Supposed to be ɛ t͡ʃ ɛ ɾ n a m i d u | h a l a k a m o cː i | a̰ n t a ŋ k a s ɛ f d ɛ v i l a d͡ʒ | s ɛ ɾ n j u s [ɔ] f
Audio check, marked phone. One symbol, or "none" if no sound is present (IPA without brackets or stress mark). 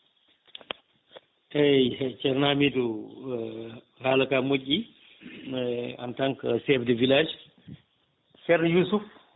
u